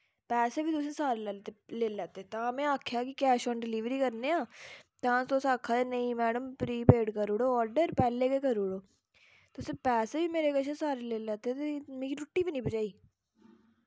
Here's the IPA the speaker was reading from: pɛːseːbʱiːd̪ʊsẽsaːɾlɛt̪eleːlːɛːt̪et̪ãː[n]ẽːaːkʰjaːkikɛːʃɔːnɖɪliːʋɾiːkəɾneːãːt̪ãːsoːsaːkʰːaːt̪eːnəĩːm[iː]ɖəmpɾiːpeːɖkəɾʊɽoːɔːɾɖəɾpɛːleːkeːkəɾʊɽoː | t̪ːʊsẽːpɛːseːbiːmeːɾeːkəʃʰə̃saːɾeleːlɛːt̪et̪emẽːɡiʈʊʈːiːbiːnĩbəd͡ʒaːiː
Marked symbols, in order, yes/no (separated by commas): no, no